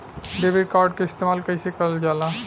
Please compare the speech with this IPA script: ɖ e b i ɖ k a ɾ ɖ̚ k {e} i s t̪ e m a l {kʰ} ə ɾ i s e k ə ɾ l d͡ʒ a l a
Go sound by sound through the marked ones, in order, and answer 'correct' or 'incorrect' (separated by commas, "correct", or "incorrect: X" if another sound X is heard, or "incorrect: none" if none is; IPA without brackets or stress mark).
correct, incorrect: k